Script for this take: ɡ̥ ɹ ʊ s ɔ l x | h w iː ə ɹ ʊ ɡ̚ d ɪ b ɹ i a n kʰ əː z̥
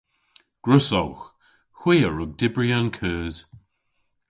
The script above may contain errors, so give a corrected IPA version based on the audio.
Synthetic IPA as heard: ɡ̥ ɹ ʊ s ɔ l x | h w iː ə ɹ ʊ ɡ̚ d ɪ b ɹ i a n kʰ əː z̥